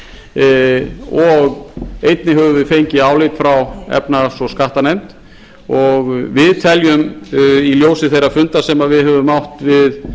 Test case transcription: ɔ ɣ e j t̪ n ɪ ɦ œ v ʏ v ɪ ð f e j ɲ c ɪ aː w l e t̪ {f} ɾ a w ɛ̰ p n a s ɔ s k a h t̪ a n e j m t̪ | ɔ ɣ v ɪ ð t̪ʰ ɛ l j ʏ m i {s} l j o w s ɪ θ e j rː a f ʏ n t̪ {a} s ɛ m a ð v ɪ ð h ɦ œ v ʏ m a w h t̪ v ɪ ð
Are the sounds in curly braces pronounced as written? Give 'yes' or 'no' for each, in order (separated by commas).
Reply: yes, no, yes